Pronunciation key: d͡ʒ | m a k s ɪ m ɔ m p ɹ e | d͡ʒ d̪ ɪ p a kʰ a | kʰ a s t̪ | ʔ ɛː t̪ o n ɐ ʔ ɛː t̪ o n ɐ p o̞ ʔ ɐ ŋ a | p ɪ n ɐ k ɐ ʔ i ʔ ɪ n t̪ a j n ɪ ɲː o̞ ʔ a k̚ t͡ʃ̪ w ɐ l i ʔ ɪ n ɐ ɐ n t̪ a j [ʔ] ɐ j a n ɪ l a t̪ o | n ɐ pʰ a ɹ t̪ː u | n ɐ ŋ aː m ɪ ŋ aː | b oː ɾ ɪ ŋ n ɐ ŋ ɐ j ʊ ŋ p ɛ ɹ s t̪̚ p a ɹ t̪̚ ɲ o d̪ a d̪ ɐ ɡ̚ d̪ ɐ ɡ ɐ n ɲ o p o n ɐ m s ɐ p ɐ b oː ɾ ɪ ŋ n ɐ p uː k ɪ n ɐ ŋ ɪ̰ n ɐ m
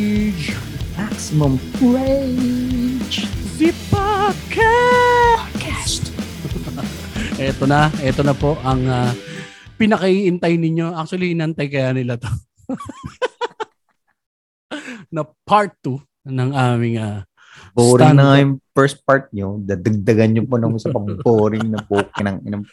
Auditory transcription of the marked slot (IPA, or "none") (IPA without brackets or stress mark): k